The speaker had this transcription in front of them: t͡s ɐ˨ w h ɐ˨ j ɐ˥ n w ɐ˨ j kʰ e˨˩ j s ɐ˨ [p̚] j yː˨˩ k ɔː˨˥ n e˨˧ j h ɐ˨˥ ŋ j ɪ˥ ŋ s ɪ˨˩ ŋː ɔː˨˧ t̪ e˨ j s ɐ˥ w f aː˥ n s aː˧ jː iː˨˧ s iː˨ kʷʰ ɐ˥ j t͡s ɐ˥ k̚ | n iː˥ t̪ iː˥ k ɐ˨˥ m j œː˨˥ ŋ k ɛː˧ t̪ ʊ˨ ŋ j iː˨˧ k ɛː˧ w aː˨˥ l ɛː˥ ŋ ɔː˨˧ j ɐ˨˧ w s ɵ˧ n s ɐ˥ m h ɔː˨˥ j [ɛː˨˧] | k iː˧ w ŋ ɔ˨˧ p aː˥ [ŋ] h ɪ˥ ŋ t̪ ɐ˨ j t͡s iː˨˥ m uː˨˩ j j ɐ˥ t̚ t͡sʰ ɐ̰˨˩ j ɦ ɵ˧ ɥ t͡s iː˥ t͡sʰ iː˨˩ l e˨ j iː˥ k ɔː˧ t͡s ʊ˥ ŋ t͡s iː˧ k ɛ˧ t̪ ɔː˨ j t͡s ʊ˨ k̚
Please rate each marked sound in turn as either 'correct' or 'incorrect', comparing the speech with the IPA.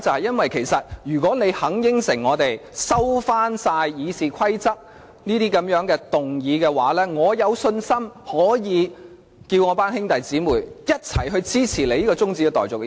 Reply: incorrect, incorrect, incorrect

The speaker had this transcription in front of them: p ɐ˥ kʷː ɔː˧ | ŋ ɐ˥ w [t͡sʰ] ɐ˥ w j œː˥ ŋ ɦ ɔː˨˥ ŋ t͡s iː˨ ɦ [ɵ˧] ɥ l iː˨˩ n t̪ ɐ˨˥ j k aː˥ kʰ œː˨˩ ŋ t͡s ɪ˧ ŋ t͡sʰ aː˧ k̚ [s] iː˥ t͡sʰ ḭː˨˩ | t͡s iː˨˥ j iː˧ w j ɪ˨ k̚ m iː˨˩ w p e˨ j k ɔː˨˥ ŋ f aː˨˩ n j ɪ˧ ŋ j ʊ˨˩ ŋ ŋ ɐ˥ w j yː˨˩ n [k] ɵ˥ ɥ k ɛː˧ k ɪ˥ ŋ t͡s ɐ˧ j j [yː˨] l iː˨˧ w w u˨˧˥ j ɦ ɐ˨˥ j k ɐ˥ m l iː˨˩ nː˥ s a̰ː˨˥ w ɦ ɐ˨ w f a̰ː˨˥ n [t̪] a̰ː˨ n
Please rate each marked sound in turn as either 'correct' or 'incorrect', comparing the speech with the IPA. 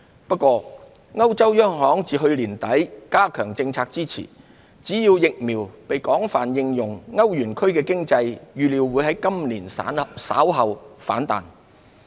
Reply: incorrect, correct, incorrect, incorrect, correct, correct

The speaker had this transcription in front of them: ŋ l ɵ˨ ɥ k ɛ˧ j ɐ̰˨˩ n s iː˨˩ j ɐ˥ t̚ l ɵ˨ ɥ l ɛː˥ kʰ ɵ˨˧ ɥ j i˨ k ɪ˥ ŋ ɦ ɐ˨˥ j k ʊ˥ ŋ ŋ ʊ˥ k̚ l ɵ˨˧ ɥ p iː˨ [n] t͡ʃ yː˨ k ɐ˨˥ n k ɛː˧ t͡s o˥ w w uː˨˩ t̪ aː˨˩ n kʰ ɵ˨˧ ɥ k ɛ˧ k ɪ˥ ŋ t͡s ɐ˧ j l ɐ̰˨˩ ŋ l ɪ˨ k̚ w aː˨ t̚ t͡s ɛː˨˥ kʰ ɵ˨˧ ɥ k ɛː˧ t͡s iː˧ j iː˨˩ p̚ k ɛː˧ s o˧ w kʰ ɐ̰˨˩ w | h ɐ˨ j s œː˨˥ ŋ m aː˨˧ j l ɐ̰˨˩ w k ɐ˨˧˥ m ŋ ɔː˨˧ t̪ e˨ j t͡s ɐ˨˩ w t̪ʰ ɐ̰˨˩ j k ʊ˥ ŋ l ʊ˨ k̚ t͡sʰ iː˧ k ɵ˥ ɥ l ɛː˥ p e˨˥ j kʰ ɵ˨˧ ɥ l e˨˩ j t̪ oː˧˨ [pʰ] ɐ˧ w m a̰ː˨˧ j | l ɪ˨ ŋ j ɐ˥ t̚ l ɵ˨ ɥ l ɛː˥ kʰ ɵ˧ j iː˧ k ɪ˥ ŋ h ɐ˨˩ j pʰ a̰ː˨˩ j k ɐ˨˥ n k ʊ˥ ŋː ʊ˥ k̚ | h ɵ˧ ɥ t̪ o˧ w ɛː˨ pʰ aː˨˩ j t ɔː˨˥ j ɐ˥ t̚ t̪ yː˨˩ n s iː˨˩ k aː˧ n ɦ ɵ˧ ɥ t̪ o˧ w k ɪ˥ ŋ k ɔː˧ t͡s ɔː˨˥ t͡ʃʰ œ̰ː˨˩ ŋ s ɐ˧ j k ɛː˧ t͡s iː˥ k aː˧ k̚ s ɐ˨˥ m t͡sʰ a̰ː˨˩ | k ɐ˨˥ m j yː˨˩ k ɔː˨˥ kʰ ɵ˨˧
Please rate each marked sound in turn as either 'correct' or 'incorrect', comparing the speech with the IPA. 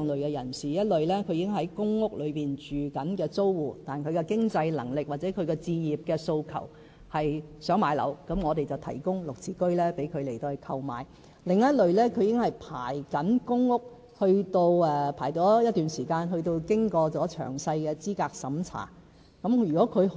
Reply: correct, incorrect

